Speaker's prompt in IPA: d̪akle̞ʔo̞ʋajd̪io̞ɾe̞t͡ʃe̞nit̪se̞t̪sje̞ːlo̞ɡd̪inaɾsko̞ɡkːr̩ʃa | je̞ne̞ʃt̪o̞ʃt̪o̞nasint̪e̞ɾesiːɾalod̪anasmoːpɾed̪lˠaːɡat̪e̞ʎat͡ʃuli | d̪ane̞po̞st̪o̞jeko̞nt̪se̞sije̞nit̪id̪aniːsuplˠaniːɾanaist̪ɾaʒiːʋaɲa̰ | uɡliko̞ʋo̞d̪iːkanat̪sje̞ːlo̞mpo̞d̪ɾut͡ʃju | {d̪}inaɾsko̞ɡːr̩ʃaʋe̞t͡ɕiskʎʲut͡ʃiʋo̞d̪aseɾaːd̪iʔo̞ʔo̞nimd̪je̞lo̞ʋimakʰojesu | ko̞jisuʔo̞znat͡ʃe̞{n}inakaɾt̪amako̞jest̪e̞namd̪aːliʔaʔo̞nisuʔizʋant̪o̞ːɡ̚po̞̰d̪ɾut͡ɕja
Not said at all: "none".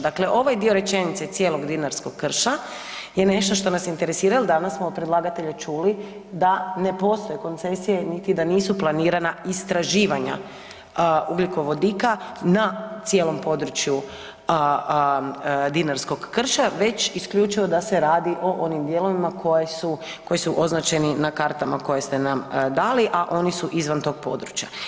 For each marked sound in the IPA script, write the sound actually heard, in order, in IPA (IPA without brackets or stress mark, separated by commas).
d̪, n